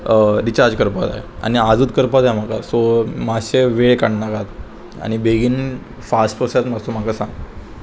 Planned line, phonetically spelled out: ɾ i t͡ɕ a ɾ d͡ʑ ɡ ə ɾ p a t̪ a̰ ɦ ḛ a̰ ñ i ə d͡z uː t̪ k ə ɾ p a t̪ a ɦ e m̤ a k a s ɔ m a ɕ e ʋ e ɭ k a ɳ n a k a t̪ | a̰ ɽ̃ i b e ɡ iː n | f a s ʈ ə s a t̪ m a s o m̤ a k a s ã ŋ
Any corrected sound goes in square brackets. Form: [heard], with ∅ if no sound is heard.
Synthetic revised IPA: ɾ i t͡ɕ a ɾ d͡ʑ [k] ə ɾ p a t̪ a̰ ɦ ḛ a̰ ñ i [a] d͡z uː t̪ k ə ɾ p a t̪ a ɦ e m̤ a k a s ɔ m a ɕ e ʋ e ɭ k a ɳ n a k a t̪ | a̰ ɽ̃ i b e ɡ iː n | f a s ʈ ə s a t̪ m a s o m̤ a k a s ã ŋ